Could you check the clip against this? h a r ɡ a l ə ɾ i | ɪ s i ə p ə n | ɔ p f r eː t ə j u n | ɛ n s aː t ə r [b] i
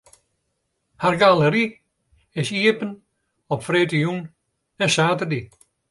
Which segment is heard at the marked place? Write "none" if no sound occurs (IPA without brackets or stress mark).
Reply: d